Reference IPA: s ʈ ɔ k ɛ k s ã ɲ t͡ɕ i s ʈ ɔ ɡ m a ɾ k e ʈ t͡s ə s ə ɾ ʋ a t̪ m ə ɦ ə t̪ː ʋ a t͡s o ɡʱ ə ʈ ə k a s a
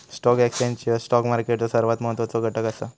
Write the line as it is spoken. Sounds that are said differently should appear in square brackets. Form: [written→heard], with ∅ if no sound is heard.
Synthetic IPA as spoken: s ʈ ɔ k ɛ k s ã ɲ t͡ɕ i s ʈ ɔ [ɡ→k] m a ɾ k e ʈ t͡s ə s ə ɾ ʋ a t̪ m ə ɦ ə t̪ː ʋ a t͡s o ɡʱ ə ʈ ə k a s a